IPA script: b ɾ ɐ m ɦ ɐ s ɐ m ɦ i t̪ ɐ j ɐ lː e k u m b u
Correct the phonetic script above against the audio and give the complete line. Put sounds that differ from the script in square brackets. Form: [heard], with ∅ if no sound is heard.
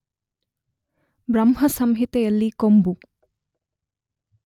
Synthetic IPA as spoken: b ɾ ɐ m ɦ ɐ s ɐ m ɦ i t̪ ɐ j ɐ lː [i] k [o] m b u